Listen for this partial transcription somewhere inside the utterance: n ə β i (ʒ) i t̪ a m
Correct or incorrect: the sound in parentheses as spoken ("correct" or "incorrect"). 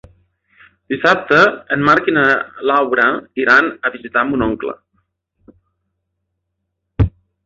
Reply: incorrect